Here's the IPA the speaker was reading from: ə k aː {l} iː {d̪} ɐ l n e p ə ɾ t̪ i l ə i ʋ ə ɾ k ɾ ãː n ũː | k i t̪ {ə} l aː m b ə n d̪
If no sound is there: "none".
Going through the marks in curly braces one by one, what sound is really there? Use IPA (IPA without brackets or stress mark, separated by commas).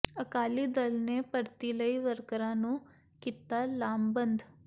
l, d̪, a